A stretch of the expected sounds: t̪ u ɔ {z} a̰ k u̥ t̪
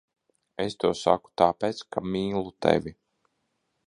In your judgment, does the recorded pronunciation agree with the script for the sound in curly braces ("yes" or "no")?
no